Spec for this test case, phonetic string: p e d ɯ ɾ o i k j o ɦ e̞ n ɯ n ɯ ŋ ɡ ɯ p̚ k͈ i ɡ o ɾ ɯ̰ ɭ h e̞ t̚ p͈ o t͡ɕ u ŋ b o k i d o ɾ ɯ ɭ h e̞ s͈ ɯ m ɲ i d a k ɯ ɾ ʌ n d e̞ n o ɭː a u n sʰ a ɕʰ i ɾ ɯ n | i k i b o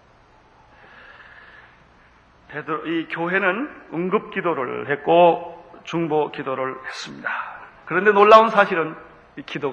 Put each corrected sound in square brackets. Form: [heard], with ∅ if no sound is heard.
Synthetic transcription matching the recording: p e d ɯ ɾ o i k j o ɦ e̞ n ɯ n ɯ ŋ ɡ ɯ p̚ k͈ i [d] o ɾ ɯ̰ ɭ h e̞ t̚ [k͈] o t͡ɕ u ŋ b o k i d o ɾ ɯ ɭ h e̞ s͈ ɯ m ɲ i d a k ɯ ɾ ʌ n d e̞ n o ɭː a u n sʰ a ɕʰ i ɾ ɯ n | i k i [d] o